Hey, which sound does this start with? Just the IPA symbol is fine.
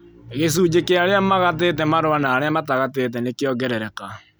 ɣ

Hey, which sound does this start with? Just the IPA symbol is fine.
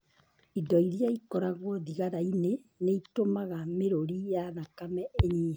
i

